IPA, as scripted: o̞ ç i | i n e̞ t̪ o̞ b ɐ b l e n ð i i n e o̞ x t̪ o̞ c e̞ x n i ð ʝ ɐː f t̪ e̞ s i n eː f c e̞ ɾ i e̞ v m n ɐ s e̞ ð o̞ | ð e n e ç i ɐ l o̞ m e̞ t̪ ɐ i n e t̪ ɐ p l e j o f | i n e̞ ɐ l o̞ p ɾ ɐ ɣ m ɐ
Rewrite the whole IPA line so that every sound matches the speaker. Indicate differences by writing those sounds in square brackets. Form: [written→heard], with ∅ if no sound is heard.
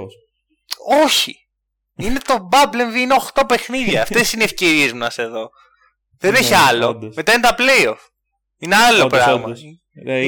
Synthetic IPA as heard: o̞ ç i | i n e̞ t̪ o̞ b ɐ b l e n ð i i n e o̞ x t̪ o̞ [c→p] e̞ x n i ð ʝ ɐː f t̪ e̞ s i n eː f c e̞ ɾ i e̞ [v→z] m n ɐ s e̞ ð o̞ | ð e n e ç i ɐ l o̞ m e̞ t̪ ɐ i n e t̪ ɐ p l e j o f | i n e̞ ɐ l o̞ p ɾ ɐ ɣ m ɐ